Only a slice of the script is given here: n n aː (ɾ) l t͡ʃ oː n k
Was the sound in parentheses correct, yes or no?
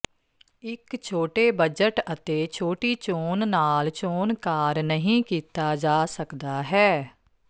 no